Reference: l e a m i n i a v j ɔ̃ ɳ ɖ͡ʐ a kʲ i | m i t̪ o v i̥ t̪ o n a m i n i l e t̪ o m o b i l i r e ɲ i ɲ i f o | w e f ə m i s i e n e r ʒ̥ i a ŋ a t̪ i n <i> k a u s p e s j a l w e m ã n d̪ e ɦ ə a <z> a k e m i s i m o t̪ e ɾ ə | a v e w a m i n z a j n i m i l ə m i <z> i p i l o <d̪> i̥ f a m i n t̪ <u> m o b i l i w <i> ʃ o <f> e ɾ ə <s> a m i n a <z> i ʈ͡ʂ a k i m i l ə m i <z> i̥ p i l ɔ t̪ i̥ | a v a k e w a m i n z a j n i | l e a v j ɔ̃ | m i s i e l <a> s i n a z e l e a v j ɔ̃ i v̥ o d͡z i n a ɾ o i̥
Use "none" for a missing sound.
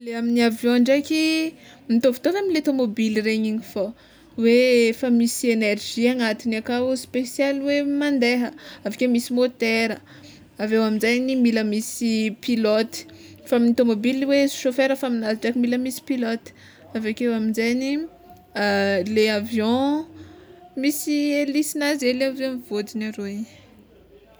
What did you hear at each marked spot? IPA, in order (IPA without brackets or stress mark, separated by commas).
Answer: a, v, s, t̪, o, e, f, f, z, s, i